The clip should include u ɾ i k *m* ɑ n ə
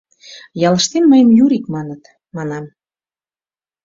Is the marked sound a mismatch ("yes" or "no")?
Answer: no